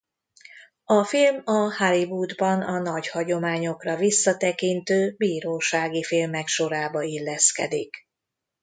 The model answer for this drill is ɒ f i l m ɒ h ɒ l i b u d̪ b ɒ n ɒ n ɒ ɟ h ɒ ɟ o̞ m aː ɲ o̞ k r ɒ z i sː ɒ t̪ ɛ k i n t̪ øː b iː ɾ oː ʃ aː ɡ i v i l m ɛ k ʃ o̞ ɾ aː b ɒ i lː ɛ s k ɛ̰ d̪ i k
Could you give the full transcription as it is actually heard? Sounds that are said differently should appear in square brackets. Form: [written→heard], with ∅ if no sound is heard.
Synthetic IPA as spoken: ɒ f i l m ɒ h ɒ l i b u d̪ b ɒ n ɒ n ɒ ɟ h ɒ ɟ o̞ m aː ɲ o̞ k r ɒ [z→v] i sː ɒ t̪ ɛ k i n t̪ øː b iː ɾ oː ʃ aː ɡ i [v→f] i l m ɛ k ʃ o̞ ɾ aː b ɒ i lː ɛ s k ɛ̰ d̪ i k